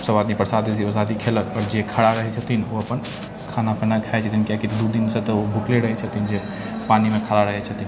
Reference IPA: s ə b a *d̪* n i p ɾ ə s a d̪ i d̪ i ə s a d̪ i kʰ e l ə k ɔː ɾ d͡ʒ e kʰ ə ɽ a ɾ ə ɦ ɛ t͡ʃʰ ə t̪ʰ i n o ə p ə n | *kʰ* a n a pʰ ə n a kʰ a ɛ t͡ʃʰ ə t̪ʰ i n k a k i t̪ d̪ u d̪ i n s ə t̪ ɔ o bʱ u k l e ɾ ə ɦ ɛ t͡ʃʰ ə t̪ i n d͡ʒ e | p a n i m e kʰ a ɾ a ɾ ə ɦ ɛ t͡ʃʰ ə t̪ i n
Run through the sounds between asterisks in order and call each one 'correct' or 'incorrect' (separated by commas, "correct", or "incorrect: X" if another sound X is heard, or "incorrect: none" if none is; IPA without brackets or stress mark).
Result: correct, correct